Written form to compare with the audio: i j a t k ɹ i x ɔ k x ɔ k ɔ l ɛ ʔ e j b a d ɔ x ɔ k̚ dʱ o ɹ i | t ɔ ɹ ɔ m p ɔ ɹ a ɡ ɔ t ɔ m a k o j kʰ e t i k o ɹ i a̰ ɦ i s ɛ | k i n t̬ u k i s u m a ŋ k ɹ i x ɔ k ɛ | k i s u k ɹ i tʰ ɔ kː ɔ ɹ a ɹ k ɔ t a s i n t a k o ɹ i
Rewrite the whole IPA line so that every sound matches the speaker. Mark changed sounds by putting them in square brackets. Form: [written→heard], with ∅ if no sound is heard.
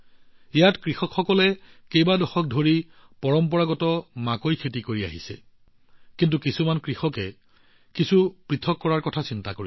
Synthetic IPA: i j a t k ɹ i x ɔ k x ɔ k ɔ l ɛ [ʔ→k] e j b a d ɔ x ɔ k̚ dʱ o ɹ i | [t→p] ɔ ɹ ɔ m p ɔ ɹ a ɡ ɔ t ɔ m a k o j kʰ e t i k o ɹ i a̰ ɦ i s ɛ | k i n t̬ u k i s u m a [ŋ→n] k ɹ i x ɔ k ɛ | k i s u [k→p] ɹ i tʰ ɔ kː ɔ ɹ a ɹ k ɔ [t→tʰ] a s i n t a k o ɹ i